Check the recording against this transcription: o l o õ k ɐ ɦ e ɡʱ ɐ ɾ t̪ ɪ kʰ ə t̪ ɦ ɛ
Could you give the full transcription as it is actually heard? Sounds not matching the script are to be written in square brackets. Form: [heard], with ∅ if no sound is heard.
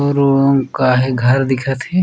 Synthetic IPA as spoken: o [ɾ] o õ k [a] ɦ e ɡʱ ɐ ɾ [d̪] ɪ kʰ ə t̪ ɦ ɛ